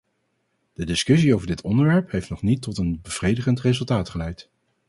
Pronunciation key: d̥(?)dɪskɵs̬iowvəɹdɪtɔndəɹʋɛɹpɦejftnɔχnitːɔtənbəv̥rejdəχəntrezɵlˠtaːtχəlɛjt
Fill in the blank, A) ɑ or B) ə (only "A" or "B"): B